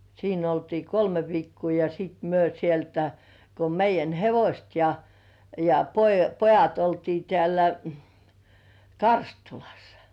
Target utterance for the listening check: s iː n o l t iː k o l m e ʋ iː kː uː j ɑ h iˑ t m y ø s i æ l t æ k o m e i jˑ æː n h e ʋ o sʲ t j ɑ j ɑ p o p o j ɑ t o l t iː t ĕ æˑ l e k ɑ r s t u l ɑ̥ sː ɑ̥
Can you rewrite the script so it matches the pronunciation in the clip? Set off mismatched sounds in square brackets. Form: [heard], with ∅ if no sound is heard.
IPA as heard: s iː n o l t iː k o l m e ʋ iː kː uː j ɑ [s] iˑ t m y ø s i [e] l t æ k o m e i jˑ [æ] n h e ʋ o sʲ t j ɑ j ɑ p o p o j ɑ t o l t iː t ĕ æˑ l [æ] k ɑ r s t u l ɑ̥ sː ɑ̥

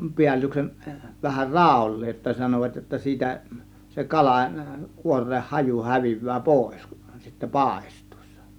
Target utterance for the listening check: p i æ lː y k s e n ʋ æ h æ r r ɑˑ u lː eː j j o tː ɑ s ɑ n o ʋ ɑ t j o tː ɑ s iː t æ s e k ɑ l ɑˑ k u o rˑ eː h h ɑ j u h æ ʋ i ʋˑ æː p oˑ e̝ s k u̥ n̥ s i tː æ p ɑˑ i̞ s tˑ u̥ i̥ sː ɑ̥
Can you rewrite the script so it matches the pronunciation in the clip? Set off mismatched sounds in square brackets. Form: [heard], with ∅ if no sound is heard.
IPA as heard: p i æ lː y k s e n ʋ æ h æ r r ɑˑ u lː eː j j o tː ɑ s ɑ n o ʋ ɑ t j o tː ɑ s iː t æ s e k ɑ l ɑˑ k u o rˑ eː h h ɑ j u h æ ʋ i ʋˑ æː p oˑ e̝ s k u̥ n̥ s i tː æ p ɑˑ [e̞] s tˑ u̥ i̥ sː ɑ̥

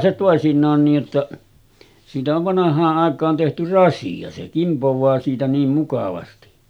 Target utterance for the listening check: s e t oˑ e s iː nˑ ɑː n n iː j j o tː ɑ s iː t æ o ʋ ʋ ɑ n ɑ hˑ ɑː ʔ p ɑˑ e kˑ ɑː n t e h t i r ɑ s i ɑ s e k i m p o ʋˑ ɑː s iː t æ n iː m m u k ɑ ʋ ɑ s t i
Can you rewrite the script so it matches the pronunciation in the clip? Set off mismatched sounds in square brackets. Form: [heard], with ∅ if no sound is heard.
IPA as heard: s e t oˑ e s [i] nˑ ɑː n n iː j j o tː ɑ s iː t æ o ʋ ʋ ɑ n ɑ hˑ ɑː ʔ [ʔ] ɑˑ e kˑ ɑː n t e h t [y] r ɑ s i ɑ s e k i m p o ʋˑ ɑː s iː t æ n iː m m u k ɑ ʋ ɑ s t i

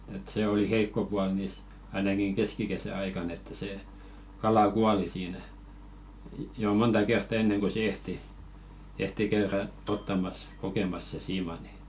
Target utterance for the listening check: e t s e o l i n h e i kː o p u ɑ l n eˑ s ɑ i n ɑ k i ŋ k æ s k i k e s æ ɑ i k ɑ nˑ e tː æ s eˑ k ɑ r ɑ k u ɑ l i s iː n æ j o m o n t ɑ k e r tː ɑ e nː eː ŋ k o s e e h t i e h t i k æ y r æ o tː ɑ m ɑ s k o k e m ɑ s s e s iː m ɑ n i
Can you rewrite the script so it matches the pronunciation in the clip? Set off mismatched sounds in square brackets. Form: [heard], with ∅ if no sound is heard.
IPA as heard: e t s e o l i [∅] h e i kː o p u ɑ l n [iˑ] s ɑ i n ɑ k i ŋ k [e] s k i k e s æ ɑ i k ɑ nˑ e tː æ s eˑ k ɑ [l] ɑ k u ɑ l i s iː n æ j o m o n t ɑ k e r tː ɑ e nː [e] ŋ k o s e e h t i e h t i k æ y r æ o tː ɑ m ɑ s k o k e m ɑ s s e s iː m ɑ n i

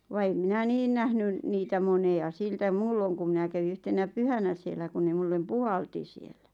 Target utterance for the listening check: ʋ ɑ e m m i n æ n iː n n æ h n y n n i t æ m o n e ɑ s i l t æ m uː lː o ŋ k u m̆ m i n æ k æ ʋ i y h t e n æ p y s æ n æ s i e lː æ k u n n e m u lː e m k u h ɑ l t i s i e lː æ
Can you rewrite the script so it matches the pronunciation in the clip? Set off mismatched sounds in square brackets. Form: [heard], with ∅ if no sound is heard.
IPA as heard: ʋ ɑ e m m i n æ n iː n n æ h n y n n [iː] t æ m o n e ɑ s i l t æ m uː lː o ŋ k u m̆ m i n æ k æ ʋ i y h t e n æ p y [h] æ n æ s i e lː æ k u n n e m u lː e m [p] u h ɑ l t i s i e lː æ

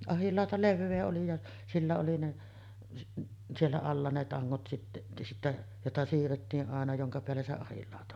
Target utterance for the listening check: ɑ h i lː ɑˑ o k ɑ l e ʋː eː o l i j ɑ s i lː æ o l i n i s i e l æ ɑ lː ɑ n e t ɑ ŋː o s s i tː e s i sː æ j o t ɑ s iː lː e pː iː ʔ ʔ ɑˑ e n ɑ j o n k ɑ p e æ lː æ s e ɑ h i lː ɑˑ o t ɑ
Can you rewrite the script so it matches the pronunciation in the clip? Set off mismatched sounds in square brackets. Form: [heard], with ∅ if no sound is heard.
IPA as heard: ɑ h i lː ɑˑ o [t] ɑ l e ʋː eː o l i j ɑ s i lː æ o l i n [e] s i e [lː] æ ɑ lː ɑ n e t ɑ ŋː o [t] s i tː e s i [tː] æ j o t ɑ s iː [rː] e [tː] iː ʔ ʔ ɑˑ e n ɑ j o [ŋ] k ɑ p e æ lː æ s e ɑ h i lː ɑˑ o t ɑ

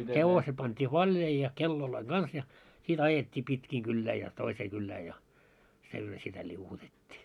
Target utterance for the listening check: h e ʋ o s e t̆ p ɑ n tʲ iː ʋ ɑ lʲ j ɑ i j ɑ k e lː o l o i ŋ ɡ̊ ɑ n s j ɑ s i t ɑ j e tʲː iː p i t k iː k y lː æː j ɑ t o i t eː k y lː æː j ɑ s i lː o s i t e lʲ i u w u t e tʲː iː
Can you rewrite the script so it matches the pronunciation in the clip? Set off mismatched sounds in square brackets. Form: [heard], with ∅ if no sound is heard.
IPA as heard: h e ʋ o s e t̆ p ɑ n tʲ iː ʋ ɑ lʲ j ɑ i j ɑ k e lː o l o i ŋ ɡ̊ ɑ n s j ɑ s i t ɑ j e tʲː iː p i t k iː k y lː æː j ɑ t o i [s] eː k y lː æː j ɑ s i lː o s i t [æ] lʲ i u w u t e tʲː iː

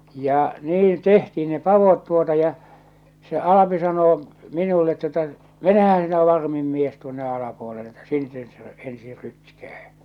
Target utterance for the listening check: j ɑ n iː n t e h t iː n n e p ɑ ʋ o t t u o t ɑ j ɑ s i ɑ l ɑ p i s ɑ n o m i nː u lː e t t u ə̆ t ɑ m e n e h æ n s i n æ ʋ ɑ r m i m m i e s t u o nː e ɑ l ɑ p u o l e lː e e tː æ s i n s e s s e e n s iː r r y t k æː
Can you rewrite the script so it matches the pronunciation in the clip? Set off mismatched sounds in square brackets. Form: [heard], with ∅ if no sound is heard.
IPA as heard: j ɑ n iː n t e h t iː n n e p ɑ ʋ o t t u o t ɑ j ɑ s [e] ɑ l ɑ p i s ɑ n [oː] m i [n] u lː e t t u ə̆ t ɑ m e n e h æ n s i n æ ʋ ɑ r m i m m i e s t u o nː e ɑ l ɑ p u o l e lː e e tː æ s i n s e s s e e n s iː r r y t k æː

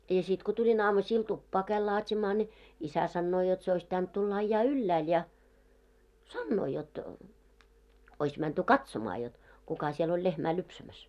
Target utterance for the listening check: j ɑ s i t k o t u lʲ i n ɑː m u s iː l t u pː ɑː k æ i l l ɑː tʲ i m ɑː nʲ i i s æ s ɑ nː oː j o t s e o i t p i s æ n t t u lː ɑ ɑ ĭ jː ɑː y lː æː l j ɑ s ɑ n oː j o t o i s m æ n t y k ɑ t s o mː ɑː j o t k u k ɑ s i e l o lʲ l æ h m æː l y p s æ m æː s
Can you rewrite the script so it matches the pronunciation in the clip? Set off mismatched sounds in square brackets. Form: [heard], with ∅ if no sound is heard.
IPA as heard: j ɑ s i t k o t u lʲ i n ɑː m u s iː l t u pː ɑː k æ i l l ɑː tʲ i m ɑː nʲ i i s æ s ɑ nː oː j o t s e o i [s] p i [t] æ n t t u lː ɑ ɑ ĭ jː ɑː y lː æː l j ɑ s ɑ [nː] oː j o t o i s m æ n t y k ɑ t s o [m] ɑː j o t k u k ɑ s i e l o lʲ l [e] h m æː l y p s æ m [æ] s

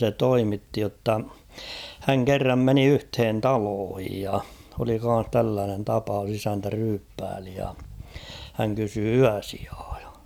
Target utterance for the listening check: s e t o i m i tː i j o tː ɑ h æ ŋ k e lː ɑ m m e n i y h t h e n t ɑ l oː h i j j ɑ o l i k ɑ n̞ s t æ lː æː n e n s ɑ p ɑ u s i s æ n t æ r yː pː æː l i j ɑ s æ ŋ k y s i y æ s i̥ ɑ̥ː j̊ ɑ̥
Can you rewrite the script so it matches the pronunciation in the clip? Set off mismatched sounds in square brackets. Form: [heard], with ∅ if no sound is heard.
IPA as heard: s e t o i m i tː i j o tː ɑ h æ ŋ k e [rː] ɑ m m e n i y h t h e n t ɑ l oː h i j j ɑ o l i k ɑ n̞ s t æ lː æː n e n [t] ɑ p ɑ u s i s æ n t æ r yː pː æː l i j ɑ [h] æ ŋ k y s [y] y æ s i̥ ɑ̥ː j̊ ɑ̥

